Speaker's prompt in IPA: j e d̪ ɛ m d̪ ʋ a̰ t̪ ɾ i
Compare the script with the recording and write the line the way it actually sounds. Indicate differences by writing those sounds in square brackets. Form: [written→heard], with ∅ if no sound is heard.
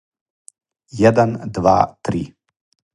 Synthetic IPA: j [e→ɛ] d̪ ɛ [m→n] d̪ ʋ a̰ t̪ ɾ i